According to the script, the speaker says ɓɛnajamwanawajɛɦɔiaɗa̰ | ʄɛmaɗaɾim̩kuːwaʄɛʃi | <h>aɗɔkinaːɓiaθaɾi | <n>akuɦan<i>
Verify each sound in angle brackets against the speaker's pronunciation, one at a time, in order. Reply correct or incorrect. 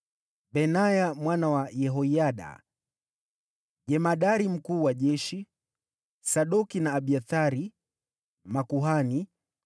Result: incorrect: s, incorrect: m, correct

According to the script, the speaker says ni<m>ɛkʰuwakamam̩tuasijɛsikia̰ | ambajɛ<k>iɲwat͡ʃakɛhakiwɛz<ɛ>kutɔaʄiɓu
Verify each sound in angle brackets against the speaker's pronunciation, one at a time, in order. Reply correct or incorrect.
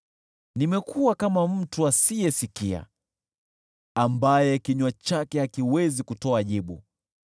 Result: correct, correct, incorrect: i

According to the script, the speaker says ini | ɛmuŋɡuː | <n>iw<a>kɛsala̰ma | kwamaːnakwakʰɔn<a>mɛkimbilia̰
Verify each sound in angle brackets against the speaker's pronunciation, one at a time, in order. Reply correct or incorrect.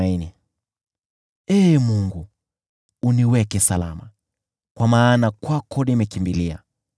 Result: correct, incorrect: ɛ, incorrect: i

